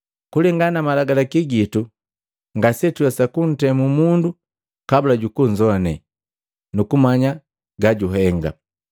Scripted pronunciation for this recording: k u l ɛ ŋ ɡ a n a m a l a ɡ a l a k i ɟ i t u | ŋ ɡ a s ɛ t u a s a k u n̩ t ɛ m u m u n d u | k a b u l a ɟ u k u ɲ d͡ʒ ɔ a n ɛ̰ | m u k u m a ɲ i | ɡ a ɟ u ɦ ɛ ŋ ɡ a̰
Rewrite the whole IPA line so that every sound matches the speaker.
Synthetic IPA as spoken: k u l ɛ ŋ ɡ a n a m a l a ɡ a l a k i ɡ i t u | ŋ ɡ a s ɛ t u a s a k u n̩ t ɛ m u m u n d u | k a b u l a ɟ u k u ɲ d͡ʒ ɔ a n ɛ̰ | n u k u m a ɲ a | ɡ a ɟ u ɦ ɛ ŋ ɡ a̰

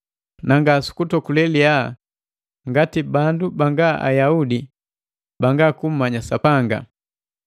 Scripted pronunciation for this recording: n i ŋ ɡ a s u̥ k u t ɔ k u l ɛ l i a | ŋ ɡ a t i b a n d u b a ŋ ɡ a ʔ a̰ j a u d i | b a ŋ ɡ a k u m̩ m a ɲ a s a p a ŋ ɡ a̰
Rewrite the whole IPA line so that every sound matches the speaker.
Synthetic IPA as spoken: n a ŋ ɡ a s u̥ k u t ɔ k u l ɛ l i a | ŋ ɡ a t i b a n d u b a ŋ ɡ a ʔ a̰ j a u d i | b a ŋ ɡ a k u m̩ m a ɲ a s a p a ŋ ɡ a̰

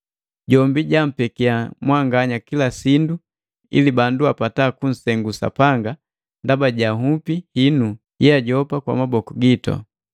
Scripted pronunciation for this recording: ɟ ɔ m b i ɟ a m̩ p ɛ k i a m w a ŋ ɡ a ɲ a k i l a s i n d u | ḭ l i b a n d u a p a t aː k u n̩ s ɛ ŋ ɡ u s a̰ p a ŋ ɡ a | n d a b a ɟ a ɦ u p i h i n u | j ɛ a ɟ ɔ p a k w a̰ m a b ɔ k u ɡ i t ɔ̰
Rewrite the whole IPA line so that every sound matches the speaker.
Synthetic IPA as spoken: ɟ ɔ m b i ɟ a m̩ p ɛ k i a m w a ŋ ɡ a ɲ a k i l a s i n d u | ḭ l i b a n d u a p a t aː k u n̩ s ɛ ŋ ɡ u s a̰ p a ŋ ɡ a | n d a b a ɟ a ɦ u p i h i n u | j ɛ a ɟ ɔ p a k w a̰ m a b ɔ k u ɡ i t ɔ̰

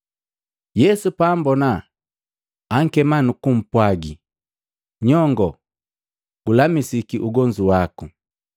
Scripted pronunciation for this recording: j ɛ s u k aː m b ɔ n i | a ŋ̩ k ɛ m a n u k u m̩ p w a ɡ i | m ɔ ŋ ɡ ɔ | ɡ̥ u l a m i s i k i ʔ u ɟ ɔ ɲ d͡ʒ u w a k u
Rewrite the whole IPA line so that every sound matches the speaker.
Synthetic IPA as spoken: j ɛ s u p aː m b ɔ n a | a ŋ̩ k ɛ m a n u k u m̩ p w a ɡ i | ɲ ɔ ŋ ɡ ɔ | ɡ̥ u l a m i s i k i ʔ u ɡ ɔ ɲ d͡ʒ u w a k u

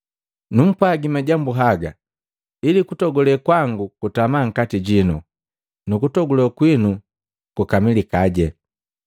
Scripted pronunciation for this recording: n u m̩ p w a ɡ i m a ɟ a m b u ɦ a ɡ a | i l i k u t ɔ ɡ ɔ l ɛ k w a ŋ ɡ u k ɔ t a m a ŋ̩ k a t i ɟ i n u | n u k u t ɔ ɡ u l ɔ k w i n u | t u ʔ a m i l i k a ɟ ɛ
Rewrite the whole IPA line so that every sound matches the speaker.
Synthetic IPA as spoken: n u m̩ p w a ɡ i m a ɟ a m b u ɦ a ɡ a | i l i k u t ɔ ɡ ɔ l ɛ k w a ŋ ɡ u k u t a m a ŋ̩ k a t i ɟ i n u | n u k u t ɔ ɡ u l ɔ k w i n u | k u k a m i l i k a ɟ ɛ

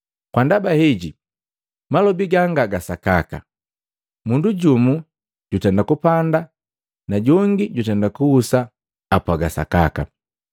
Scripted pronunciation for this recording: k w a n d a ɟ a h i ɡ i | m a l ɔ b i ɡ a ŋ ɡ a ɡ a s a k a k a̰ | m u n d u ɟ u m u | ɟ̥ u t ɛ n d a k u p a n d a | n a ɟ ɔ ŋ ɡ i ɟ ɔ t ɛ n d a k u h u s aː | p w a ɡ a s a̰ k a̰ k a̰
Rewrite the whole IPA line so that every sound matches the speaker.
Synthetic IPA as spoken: k w a n d a b a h i ɟ i | m a l ɔ b i ɡ a ŋ ɡ a ɡ a s a k a k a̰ | m u n d u ɟ u m u | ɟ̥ u t ɛ n d a k u p a n d a | n a ɟ ɔ ŋ ɡ i ɟ u t ɛ n d a k u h u s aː | p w a ɡ a s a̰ k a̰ k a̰

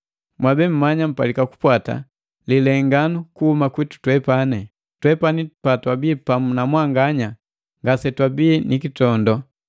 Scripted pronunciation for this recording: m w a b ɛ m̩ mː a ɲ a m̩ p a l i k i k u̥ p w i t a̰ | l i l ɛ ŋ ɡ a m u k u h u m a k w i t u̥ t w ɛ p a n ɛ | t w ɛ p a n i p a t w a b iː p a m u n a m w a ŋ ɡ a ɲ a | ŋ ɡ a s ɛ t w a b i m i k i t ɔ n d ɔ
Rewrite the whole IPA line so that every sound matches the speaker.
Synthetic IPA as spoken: m w a b ɛ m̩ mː a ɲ a m̩ p a l i k a k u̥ p w a t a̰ | l i l ɛ ŋ ɡ a n u k u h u m a k w i t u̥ t w ɛ p a n ɛ | t w ɛ p a n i p a t w a b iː p a m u n a m w a ŋ ɡ a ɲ a | ŋ ɡ a s ɛ t w a b i n i k i t ɔ n d ɔ

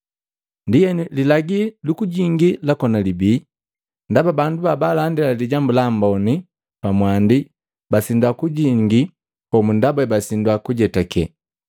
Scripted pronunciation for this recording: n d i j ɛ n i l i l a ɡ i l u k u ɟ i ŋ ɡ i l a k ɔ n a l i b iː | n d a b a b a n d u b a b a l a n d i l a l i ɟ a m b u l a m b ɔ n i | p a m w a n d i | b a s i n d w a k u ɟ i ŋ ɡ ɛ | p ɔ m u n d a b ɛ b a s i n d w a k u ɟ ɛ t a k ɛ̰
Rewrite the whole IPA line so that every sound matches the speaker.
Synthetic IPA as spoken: n d i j ɛ n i l i l a ɡ i l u k u ɟ i ŋ ɡ i l a k ɔ n a l i b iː | n d a b a b a n d u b a b a l a n d i l a l i ɟ a m b u l a m b ɔ n i | p a m w a n d i | b a s i n d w a k u ɟ i ŋ ɡ i | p ɔ m u n d a b ɛ b a s i n d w a k u ɟ ɛ t a k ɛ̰

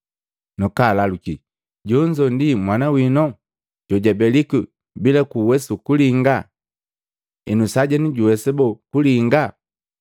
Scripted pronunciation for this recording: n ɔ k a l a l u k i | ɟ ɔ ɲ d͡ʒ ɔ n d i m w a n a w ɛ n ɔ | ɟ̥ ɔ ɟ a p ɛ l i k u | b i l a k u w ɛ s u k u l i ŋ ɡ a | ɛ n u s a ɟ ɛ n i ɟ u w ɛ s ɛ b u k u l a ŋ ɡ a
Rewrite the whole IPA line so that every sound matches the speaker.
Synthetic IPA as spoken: n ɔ k a l a l u k i | ɟ ɔ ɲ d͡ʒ ɔ n d i m w a n a w i n ɔ | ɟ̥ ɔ ɟ a b ɛ l i k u | b i l a k u w ɛ s u k u l i ŋ ɡ a | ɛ n u s a ɟ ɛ n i ɟ u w ɛ s ɛ b ɔ k u l i ŋ ɡ a

